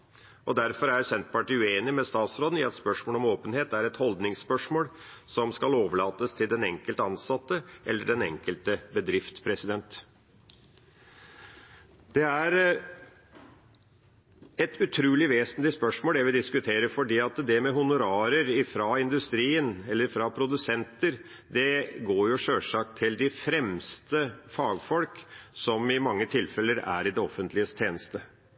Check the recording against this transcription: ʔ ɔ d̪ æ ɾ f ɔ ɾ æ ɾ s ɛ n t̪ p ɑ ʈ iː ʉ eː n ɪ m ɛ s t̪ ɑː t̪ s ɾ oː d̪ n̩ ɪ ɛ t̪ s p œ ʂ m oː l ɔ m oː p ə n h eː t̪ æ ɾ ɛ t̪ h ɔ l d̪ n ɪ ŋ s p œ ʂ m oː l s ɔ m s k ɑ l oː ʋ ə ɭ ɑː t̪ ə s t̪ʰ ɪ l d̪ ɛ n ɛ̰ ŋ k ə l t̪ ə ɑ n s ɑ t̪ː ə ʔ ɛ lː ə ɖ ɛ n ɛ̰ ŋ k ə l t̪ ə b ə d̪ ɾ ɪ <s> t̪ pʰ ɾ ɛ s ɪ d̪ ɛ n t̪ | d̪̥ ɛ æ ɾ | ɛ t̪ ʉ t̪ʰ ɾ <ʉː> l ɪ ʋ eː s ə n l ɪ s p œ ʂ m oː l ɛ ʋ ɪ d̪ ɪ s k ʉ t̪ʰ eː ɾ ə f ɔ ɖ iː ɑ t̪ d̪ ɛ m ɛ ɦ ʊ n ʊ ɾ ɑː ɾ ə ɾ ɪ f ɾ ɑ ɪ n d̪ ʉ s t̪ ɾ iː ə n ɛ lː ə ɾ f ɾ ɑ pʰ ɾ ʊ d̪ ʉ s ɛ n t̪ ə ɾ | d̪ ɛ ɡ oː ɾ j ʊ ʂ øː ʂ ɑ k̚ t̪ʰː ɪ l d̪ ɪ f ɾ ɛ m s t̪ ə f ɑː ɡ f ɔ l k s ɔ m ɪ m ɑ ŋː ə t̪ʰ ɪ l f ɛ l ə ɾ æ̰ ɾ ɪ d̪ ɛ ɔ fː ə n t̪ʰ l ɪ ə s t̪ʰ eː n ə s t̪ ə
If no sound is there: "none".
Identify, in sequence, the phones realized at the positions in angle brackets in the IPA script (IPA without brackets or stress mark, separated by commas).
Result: f, ʉː